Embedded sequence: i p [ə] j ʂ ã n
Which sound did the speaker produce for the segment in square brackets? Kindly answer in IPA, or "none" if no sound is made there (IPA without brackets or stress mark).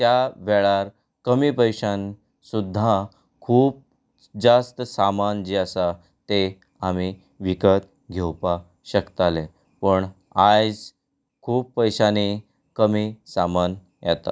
ə